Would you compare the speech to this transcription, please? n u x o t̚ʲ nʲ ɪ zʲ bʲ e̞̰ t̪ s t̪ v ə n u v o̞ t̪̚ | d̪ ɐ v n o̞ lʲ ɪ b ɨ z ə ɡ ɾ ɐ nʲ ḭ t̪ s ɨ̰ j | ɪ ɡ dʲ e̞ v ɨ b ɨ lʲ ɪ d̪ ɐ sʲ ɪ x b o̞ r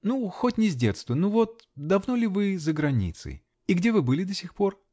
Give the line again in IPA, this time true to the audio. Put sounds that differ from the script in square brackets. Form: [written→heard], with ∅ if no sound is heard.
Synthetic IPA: n u x o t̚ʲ nʲ ɪ zʲ [bʲ→dʲ] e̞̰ t̪ s t̪ v ə n u v o̞ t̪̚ | d̪ ɐ v n o̞ lʲ ɪ [b→v] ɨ z ə ɡ ɾ ɐ nʲ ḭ t̪ s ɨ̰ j | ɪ ɡ dʲ e̞ v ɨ b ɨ lʲ ɪ d̪ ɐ sʲ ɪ x [b→p] o̞ r